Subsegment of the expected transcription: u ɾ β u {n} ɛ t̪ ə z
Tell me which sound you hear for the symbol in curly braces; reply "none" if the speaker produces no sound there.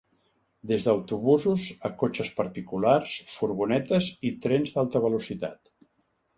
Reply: n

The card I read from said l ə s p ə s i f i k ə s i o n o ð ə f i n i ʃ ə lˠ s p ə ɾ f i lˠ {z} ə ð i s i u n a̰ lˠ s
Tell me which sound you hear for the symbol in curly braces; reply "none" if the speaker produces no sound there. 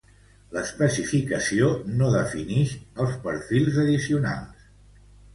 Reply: z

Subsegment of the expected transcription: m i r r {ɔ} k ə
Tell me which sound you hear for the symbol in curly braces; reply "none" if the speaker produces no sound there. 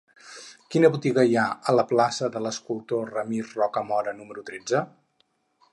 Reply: ɔ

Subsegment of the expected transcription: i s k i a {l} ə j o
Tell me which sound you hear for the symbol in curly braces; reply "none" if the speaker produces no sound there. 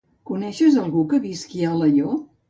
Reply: l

